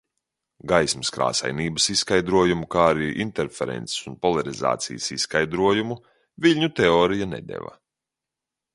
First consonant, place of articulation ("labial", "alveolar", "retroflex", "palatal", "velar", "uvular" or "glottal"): velar